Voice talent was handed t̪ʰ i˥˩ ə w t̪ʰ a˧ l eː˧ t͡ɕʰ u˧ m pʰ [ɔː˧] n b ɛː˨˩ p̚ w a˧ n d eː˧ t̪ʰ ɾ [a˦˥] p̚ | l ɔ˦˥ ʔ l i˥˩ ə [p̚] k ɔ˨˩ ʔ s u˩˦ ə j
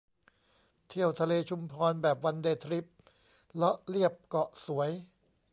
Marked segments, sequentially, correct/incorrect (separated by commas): correct, incorrect, correct